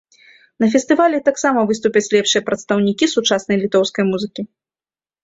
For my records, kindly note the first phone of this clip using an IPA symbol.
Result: n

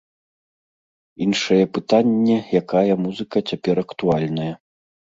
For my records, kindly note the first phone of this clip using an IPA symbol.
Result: i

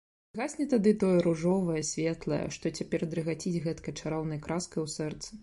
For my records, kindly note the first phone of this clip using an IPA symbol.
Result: ɣ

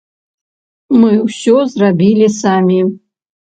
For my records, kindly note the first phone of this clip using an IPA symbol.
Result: m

